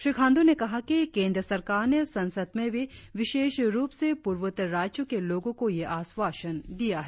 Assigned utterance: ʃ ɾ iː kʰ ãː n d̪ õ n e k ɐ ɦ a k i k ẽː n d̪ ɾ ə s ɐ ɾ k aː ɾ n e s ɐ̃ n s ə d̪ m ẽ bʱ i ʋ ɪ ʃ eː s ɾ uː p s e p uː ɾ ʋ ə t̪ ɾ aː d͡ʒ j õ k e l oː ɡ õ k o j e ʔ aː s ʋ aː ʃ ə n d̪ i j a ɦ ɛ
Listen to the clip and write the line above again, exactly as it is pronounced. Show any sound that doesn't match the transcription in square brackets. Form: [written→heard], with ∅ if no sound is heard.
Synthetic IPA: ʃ ɾ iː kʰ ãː n d̪ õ n e k ɐ ɦ a k i k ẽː n d̪ ɾ ə s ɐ ɾ k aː ɾ n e s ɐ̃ n s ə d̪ m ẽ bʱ i ʋ ɪ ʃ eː [s→ʃ] ɾ uː p s e p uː ɾ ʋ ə t̪ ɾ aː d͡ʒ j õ k e l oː ɡ õ k o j e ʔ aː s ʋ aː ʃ ə n d̪ i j a ɦ ɛ